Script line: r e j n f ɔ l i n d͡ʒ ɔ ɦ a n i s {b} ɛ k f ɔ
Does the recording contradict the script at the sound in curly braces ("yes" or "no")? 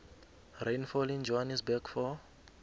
no